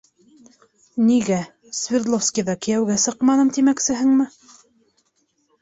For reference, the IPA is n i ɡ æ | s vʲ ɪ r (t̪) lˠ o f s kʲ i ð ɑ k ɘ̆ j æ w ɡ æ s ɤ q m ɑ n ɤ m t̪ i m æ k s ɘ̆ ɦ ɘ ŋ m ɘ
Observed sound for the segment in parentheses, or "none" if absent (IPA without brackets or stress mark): d̪